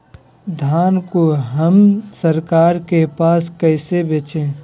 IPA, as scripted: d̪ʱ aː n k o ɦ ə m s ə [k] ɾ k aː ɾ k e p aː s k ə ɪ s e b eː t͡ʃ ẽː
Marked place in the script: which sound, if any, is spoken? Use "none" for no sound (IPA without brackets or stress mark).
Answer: none